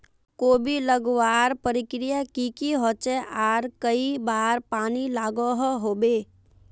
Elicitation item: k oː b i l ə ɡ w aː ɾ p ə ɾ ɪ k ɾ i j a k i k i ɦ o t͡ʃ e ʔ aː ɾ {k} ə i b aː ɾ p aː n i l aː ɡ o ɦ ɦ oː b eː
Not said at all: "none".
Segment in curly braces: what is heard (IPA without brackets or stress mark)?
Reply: k